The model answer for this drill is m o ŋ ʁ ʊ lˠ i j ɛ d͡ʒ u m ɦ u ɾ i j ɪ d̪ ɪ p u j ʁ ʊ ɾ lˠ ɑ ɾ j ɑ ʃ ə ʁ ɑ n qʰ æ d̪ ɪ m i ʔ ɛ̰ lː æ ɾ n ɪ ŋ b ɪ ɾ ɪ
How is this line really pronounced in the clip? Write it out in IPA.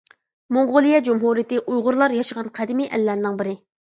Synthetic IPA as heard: m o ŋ ʁ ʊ lˠ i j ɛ d͡ʒ u m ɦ u ɾ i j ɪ t̪ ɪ ʔ u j ʁ ʊ ɾ lˠ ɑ ɾ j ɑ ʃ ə ʁ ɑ n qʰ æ d̪ ɪ m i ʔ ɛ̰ lː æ ɾ n ɪ ŋ b ɪ ɾ ɪ